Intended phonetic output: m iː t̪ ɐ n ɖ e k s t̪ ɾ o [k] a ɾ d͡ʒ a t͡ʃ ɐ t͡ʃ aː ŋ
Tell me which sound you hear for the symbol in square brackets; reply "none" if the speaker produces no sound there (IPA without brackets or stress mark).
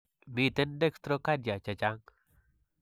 k